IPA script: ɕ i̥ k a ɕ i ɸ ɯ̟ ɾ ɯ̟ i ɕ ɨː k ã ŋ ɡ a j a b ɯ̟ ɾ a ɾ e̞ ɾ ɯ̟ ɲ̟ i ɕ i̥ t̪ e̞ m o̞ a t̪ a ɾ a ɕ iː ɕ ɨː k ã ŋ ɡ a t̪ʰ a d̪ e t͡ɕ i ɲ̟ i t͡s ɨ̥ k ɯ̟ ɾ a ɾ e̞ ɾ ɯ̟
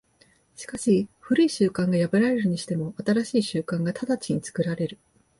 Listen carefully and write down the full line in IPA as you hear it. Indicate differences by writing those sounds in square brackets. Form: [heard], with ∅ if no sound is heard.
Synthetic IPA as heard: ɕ i̥ k a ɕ i ɸ ɯ̟ ɾ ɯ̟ i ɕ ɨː k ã ŋ ɡ a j a b ɯ̟ ɾ a ɾ e̞ ɾ ɯ̟ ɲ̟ i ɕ i̥ t̪ e̞ m o̞ a t̪ a ɾ a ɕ iː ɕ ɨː k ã ŋ ɡ a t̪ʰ a d̪ [a] t͡ɕ i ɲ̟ i t͡s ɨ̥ k ɯ̟ ɾ a ɾ e̞ ɾ ɯ̟